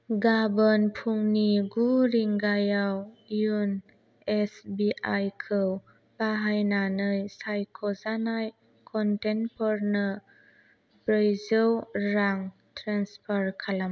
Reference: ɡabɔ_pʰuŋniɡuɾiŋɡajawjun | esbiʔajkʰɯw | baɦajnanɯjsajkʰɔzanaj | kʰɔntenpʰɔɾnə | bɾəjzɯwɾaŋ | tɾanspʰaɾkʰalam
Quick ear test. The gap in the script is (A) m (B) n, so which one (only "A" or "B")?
B